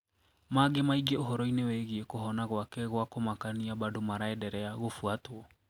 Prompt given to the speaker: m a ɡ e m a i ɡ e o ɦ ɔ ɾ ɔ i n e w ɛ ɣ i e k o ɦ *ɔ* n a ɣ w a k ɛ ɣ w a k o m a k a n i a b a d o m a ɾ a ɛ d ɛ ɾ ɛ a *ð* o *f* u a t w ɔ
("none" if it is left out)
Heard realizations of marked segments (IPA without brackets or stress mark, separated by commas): ɔ, ɣ, f